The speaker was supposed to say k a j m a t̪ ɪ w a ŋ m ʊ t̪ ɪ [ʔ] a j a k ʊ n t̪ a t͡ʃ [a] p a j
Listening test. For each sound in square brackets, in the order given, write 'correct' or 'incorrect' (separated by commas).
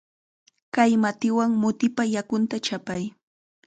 incorrect, correct